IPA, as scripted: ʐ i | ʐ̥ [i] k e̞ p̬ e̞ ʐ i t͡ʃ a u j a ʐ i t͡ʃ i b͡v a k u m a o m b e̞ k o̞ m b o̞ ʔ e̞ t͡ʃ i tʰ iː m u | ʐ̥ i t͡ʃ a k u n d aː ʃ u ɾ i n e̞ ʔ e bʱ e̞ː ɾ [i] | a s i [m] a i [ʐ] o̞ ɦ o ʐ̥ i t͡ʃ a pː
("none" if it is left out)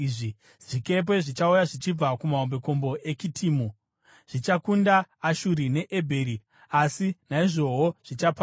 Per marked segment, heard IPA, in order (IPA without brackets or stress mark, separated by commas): i, i, n, ʐ